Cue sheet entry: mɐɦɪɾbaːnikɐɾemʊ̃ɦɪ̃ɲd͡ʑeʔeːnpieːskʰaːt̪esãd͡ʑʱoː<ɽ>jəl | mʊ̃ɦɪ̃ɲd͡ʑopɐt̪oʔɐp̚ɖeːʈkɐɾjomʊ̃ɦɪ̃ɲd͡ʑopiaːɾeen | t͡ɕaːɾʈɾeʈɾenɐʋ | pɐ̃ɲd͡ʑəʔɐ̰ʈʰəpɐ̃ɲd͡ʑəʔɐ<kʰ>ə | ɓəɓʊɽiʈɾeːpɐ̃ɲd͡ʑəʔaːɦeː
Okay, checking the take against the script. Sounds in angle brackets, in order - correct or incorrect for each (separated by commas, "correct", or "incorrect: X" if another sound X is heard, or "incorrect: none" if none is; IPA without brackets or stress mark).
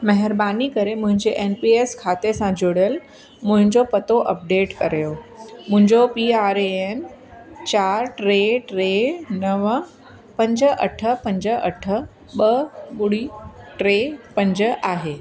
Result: correct, incorrect: ʈʰ